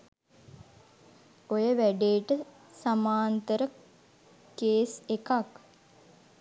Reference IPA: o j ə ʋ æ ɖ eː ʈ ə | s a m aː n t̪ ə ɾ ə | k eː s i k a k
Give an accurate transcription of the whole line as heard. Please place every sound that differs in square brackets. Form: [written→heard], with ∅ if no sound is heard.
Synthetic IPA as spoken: o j ə ʋ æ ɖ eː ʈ ə | s a m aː n t̪ ə ɾ ə | k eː s [i→e] k a k